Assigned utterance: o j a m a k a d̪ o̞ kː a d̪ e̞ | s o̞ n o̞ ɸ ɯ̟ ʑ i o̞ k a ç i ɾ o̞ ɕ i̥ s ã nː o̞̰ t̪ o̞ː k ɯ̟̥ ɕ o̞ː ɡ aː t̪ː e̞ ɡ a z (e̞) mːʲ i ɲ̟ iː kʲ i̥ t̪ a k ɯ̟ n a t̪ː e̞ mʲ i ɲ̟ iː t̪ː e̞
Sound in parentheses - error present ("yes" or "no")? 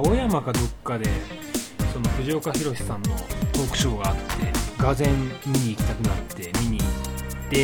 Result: yes